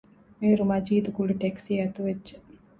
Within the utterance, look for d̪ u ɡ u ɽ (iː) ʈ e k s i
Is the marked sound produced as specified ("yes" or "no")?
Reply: no